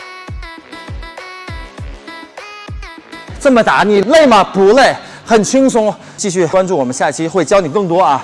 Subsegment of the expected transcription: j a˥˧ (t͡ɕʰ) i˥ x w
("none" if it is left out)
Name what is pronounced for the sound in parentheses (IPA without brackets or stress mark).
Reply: t͡ɕʰ